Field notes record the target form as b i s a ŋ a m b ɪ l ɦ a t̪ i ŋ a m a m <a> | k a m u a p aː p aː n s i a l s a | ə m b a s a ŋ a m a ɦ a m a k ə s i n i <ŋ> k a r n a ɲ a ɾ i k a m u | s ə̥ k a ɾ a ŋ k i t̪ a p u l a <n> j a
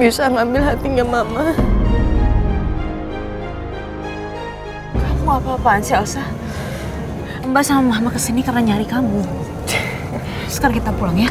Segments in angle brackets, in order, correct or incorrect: correct, incorrect, incorrect

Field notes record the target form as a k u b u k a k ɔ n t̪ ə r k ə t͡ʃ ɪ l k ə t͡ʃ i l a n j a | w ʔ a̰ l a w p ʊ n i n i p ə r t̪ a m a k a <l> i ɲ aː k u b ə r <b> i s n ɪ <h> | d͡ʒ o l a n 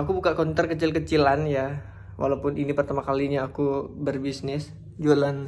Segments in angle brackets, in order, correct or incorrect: correct, correct, incorrect

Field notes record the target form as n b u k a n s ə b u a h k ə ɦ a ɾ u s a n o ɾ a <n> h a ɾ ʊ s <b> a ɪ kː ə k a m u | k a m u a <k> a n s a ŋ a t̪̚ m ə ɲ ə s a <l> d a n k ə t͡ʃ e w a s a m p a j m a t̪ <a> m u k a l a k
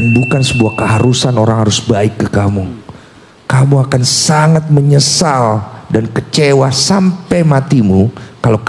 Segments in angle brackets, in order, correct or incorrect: incorrect, correct, correct, correct, incorrect

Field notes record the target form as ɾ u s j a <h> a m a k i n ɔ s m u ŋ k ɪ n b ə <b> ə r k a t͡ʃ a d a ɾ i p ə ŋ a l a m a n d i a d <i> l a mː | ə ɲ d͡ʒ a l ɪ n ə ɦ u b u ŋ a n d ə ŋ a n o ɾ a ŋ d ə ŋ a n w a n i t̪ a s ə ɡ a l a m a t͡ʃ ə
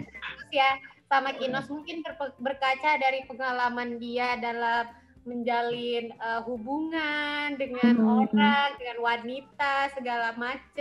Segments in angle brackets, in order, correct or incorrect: incorrect, correct, incorrect

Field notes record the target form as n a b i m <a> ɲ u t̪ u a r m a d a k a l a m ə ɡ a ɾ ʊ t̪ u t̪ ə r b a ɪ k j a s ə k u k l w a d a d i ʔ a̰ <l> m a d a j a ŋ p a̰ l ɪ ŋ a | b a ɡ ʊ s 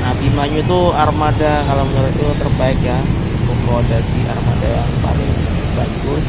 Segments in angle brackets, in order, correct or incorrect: correct, incorrect

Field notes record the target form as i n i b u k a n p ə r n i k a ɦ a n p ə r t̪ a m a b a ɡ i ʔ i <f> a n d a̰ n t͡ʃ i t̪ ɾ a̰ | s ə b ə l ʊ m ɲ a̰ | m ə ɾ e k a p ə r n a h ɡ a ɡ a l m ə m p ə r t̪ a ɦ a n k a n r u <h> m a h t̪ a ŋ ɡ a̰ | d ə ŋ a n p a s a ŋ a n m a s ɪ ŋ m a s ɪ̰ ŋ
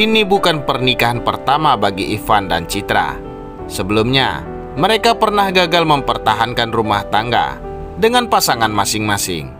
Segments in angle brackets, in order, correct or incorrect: correct, incorrect

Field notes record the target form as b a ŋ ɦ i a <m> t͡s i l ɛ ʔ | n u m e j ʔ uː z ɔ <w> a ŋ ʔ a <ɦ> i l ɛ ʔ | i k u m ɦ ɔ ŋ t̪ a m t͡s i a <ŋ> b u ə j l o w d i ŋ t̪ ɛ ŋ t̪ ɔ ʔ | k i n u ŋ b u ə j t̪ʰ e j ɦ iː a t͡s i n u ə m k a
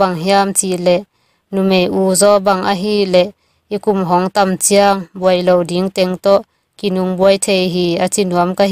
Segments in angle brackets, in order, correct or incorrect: correct, incorrect, correct, correct

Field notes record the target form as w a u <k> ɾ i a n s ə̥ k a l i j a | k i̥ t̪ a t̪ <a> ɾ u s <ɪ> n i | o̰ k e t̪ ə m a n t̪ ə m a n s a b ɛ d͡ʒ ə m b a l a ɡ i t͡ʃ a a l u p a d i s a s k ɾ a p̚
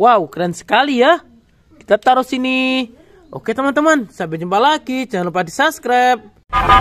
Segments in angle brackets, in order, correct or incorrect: correct, correct, incorrect

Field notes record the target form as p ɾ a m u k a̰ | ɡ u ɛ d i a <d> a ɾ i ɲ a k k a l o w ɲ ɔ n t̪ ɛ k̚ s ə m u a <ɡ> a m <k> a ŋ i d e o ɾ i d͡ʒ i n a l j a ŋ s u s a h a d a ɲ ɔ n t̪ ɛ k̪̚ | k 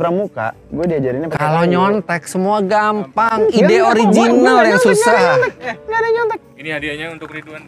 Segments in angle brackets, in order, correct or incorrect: incorrect, correct, incorrect

